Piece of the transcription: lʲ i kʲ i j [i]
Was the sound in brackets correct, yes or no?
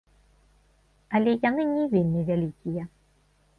no